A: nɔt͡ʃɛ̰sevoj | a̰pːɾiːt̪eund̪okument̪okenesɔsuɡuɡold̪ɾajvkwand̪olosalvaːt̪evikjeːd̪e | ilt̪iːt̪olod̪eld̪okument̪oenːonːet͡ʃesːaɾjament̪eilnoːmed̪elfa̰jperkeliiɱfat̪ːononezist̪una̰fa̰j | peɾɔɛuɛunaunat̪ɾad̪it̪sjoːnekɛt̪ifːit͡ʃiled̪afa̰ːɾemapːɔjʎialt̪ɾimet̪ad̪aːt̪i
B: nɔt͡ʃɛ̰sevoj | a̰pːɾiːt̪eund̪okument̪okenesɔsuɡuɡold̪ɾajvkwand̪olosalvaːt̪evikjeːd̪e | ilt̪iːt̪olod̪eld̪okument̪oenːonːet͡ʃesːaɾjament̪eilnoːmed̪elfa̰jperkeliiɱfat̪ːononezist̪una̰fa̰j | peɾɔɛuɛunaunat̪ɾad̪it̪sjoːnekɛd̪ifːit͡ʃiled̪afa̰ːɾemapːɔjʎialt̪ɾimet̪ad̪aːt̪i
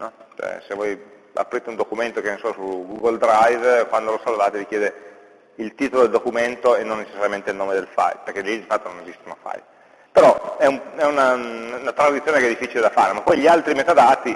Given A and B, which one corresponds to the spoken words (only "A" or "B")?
B